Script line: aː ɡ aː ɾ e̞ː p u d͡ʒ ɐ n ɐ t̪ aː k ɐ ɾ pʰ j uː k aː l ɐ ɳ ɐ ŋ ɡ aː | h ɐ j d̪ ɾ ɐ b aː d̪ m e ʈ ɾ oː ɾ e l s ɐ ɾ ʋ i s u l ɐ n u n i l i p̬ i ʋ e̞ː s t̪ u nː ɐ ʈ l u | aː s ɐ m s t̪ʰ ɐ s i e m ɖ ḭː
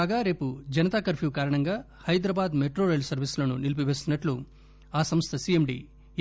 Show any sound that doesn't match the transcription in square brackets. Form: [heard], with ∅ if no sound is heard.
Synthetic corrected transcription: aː ɡ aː ɾ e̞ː p u d͡ʒ ɐ n ɐ t̪ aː k ɐ ɾ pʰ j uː k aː [ɾ] ɐ ɳ ɐ ŋ ɡ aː | h ɐ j d̪ ɾ ɐ b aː d̪ m e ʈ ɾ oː ɾ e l s ɐ ɾ ʋ i s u l ɐ n u n i l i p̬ i ʋ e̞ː s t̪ u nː ɐ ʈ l u | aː s ɐ m s t̪ʰ ɐ s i e m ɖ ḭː